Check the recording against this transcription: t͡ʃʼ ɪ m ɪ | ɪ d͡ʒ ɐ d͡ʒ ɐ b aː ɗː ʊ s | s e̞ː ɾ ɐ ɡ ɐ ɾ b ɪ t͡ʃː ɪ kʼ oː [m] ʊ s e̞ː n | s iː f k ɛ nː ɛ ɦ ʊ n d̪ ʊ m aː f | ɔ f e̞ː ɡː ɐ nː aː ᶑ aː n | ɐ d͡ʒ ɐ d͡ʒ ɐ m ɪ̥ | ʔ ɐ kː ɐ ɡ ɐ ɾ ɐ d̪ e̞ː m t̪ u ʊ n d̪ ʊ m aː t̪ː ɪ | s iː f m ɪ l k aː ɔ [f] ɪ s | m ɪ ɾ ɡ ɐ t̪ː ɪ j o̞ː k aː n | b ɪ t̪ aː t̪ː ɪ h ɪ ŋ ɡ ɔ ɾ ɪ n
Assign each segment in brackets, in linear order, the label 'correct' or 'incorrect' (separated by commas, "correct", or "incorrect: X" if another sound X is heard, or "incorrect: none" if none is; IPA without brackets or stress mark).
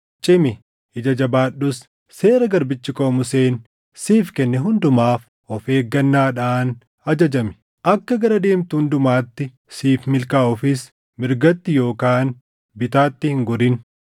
correct, correct